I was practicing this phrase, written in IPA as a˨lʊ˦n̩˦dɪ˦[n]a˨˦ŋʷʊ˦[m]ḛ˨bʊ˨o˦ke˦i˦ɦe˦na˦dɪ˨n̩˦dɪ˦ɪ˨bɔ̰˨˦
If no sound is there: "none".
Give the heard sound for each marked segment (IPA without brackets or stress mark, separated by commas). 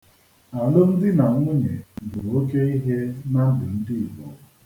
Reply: n, ɲ